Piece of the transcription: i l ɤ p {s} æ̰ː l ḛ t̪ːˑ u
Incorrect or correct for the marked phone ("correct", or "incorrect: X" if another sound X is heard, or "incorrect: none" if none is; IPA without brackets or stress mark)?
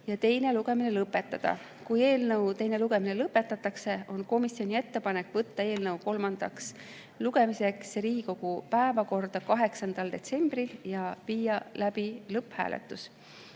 incorrect: h